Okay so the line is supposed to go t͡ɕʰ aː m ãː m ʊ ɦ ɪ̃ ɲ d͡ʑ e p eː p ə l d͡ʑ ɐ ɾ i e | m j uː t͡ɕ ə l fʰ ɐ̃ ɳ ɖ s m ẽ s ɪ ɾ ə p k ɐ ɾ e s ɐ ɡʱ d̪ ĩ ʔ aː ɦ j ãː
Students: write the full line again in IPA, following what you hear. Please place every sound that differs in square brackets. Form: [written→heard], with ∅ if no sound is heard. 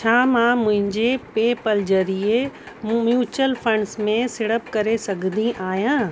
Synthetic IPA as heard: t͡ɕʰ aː m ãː m [ʊ→ʊ̃] ɦ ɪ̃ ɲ d͡ʑ e p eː p ə l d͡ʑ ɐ ɾ i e | m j uː t͡ɕ ə l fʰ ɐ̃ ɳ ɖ s m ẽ s ɪ [ɾ→ɽ] ə p k ɐ ɾ e s ɐ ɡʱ d̪ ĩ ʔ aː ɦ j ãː

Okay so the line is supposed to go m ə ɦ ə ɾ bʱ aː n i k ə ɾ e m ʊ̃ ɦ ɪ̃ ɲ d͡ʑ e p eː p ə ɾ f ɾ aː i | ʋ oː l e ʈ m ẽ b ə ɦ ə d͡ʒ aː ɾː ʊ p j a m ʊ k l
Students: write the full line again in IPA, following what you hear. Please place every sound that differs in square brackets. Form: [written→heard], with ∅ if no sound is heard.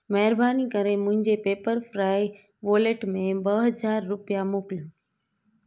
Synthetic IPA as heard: m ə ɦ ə ɾ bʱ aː n i k ə ɾ e m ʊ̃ ɦ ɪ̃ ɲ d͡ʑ e p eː p ə ɾ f ɾ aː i | ʋ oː l e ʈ m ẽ b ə ɦ ə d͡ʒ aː ɾː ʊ p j a m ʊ k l

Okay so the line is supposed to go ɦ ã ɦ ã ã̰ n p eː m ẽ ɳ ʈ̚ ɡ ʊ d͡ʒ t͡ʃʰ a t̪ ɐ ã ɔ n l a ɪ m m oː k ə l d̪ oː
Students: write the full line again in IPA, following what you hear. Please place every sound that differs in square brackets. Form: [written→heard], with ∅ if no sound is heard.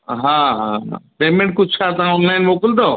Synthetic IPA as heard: ɦ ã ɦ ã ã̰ [n→∅] p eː m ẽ ɳ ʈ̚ [ɡ→k] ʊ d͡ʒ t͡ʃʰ a t̪ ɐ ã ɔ n l a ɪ [m→n] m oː k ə l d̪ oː

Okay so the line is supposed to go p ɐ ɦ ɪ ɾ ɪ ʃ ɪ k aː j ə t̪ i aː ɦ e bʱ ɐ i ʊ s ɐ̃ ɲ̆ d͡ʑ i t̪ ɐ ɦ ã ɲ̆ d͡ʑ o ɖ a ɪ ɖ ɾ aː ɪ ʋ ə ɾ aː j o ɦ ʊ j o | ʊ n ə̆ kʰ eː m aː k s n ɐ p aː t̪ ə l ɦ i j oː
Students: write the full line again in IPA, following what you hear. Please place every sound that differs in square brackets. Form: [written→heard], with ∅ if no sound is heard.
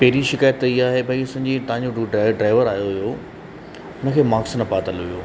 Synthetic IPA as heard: p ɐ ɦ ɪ ɾ [ɪ→i] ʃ ɪ k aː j ə t̪ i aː ɦ e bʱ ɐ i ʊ s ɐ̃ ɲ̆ d͡ʑ i t̪ ɐ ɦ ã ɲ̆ d͡ʑ o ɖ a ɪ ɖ ɾ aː ɪ ʋ ə ɾ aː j o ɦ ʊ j o | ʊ n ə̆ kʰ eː m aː k s n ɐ p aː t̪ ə l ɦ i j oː

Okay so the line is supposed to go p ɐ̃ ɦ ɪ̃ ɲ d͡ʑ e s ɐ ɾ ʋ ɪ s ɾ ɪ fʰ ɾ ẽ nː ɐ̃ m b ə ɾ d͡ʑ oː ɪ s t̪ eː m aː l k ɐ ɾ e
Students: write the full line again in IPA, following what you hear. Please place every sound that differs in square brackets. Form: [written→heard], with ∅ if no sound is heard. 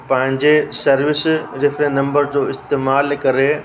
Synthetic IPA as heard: p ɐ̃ ɦ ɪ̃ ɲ d͡ʑ e s ɐ ɾ ʋ ɪ s ɾ ɪ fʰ ɾ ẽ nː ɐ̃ m b ə ɾ d͡ʑ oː ɪ s t̪ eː m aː l k ɐ ɾ e

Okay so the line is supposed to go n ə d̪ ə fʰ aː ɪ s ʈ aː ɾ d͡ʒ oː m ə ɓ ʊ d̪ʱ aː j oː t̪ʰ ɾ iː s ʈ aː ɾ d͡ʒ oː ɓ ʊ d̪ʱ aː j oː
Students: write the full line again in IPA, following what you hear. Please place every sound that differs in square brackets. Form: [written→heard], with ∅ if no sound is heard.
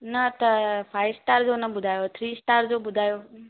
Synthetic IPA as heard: n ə [d̪→t̪] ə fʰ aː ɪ s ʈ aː ɾ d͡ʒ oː [m→n] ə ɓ ʊ d̪ʱ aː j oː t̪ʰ ɾ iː s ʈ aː ɾ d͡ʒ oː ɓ ʊ d̪ʱ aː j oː

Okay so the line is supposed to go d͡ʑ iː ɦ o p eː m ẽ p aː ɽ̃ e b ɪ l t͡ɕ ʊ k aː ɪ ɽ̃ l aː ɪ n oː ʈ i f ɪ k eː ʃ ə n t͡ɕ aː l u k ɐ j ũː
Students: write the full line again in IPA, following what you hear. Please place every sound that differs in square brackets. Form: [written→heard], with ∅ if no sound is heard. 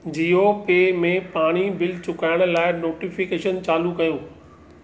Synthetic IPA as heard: d͡ʑ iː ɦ o p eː m ẽ p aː ɽ̃ [e→i] b ɪ l t͡ɕ ʊ k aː ɪ ɽ̃ l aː ɪ n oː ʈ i f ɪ k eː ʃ ə n t͡ɕ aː l u k ɐ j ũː

